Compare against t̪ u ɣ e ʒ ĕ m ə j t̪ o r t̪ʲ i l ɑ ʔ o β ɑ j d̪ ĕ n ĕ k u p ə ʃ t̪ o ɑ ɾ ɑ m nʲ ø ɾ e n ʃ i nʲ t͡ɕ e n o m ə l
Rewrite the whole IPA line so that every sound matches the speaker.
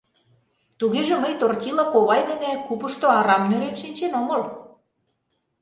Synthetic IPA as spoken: t̪ u ɣ e ʒ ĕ m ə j t̪ o r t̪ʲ i l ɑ k o β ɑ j d̪ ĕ n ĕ k u p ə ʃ t̪ o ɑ ɾ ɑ m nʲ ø ɾ e n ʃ i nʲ t͡ɕ e n o m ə l